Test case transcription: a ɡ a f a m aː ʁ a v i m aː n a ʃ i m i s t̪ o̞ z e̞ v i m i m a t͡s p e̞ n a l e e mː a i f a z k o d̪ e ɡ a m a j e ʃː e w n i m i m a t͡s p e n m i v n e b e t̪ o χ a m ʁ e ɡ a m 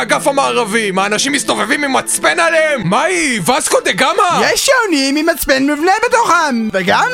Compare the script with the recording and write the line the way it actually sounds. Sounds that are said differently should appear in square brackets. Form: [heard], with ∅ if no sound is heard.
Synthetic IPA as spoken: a ɡ a f a m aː ʁ a v i m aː n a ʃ i m i s t̪ o̞ [v] e̞ v i m i m a t͡s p e̞ n a l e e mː a i [v] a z k o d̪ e ɡ a m a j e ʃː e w n i m i m a t͡s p e n m i v n e b e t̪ o χ a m [v] e ɡ a m